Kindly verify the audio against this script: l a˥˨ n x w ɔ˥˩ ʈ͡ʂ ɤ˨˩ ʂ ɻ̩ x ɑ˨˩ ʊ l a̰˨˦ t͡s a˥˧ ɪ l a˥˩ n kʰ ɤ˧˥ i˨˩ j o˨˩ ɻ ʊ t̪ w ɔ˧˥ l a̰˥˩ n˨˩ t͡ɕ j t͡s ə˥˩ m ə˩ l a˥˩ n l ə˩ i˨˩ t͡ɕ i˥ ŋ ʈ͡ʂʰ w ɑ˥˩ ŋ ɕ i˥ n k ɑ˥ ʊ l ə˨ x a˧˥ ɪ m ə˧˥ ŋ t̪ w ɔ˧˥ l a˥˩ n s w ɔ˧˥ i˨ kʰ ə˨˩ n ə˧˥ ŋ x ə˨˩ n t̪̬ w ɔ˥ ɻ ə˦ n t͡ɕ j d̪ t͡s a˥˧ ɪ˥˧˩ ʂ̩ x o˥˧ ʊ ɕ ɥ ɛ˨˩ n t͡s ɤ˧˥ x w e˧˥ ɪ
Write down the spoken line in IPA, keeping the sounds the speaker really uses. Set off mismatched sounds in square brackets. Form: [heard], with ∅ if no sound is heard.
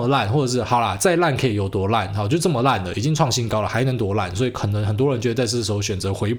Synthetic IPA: l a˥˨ n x w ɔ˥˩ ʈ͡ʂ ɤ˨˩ ʂ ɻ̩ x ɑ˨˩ ʊ l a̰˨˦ t͡s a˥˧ ɪ l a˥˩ n kʰ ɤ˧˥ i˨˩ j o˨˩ [∅] ʊ t̪ w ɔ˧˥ l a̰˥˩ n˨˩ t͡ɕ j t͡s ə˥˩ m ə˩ l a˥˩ n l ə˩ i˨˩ t͡ɕ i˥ ŋ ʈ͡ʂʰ w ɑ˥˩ ŋ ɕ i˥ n k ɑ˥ ʊ l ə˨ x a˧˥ ɪ [n] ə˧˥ ŋ t̪ w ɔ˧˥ l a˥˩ n s w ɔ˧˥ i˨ kʰ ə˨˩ n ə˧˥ ŋ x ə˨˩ n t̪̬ w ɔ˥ ɻ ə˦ n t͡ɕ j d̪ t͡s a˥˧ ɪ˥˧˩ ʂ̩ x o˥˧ ʊ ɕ ɥ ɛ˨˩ n t͡s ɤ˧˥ x w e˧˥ ɪ